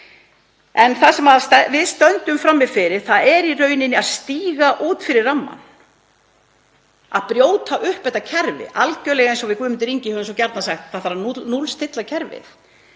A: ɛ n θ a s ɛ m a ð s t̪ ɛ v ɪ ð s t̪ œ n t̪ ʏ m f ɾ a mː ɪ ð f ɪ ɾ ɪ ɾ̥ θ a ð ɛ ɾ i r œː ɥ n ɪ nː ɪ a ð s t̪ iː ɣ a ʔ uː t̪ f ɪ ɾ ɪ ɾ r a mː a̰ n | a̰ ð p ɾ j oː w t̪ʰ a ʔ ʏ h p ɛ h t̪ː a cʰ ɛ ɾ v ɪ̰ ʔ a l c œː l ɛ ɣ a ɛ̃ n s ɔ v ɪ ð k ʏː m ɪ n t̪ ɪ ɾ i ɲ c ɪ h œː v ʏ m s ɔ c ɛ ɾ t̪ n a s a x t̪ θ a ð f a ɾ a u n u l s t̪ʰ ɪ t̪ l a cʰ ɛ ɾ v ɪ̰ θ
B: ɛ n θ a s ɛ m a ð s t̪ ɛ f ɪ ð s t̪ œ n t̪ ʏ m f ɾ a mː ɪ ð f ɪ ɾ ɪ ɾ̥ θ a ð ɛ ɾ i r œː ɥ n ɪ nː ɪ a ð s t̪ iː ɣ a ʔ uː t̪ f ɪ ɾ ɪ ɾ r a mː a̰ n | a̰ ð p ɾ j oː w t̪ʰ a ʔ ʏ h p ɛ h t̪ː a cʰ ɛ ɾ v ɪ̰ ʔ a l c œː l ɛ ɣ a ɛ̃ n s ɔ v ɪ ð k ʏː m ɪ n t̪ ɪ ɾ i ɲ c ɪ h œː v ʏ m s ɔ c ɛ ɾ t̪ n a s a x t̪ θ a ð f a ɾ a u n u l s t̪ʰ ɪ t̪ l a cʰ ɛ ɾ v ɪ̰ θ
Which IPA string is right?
A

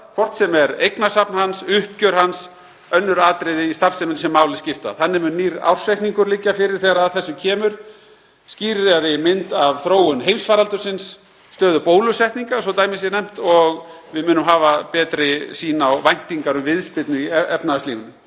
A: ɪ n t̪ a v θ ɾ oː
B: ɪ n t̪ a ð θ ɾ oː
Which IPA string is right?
A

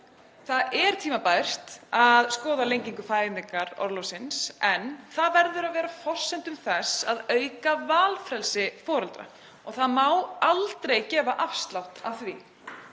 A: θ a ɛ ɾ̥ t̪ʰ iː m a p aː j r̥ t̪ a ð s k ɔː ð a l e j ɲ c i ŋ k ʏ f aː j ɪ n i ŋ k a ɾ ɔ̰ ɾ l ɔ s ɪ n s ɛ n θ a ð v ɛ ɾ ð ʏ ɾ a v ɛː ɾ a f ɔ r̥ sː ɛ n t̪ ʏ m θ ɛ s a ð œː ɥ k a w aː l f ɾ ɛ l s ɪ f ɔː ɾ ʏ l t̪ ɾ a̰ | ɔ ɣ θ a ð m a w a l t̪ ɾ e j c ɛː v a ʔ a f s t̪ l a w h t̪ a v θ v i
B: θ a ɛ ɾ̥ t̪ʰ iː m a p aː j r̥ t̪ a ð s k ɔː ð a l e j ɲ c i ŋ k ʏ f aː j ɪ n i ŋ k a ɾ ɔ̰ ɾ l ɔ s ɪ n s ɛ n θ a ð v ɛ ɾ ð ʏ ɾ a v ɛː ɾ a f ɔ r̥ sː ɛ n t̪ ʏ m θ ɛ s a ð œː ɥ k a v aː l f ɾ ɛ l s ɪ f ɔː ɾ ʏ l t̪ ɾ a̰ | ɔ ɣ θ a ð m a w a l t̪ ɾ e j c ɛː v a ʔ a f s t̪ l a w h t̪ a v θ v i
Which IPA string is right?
B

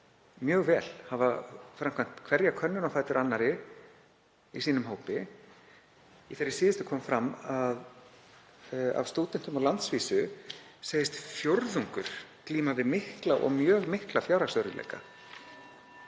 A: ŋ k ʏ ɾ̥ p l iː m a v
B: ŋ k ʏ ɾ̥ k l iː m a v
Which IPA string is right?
B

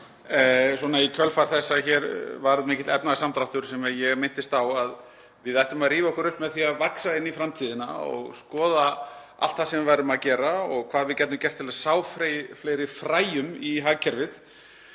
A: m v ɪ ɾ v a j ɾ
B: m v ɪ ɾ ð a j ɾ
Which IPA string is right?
A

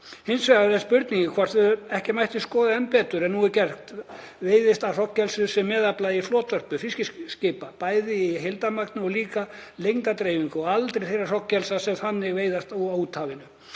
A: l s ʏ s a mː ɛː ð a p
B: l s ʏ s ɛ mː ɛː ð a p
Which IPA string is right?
B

